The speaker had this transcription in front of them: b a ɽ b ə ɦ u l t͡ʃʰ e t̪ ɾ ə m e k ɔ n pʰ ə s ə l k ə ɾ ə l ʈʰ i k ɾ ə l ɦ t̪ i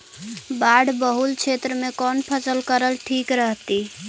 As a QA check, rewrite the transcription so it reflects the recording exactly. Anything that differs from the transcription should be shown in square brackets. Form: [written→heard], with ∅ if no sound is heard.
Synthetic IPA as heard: b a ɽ b ə ɦ u l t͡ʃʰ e t̪ ɾ ə m e k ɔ n pʰ ə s ə l k ə ɾ ə l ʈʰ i k ɾ ə [l→∅] ɦ t̪ i